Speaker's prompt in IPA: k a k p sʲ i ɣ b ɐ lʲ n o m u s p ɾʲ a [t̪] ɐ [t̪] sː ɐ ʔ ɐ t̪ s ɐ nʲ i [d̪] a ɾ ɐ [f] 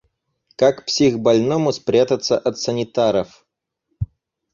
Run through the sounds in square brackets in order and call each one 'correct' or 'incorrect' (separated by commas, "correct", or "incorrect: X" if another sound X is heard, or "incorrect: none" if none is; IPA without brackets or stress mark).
correct, correct, incorrect: t̪, correct